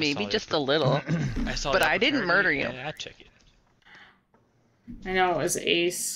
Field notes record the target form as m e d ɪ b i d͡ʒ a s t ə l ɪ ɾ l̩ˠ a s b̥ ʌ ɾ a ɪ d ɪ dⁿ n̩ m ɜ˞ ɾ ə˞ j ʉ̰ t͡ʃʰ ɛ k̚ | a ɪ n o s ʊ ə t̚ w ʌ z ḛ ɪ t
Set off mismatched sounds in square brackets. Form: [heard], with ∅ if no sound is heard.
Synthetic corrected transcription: m e [∅] ɪ b i d͡ʒ [ʌ] s t ə l ɪ ɾ l̩ˠ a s b̥ ʌ ɾ a ɪ d ɪ dⁿ n̩ m ɜ˞ ɾ ə˞ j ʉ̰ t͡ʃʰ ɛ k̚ | a ɪ n o [∅] ʊ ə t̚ w ʌ z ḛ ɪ [s]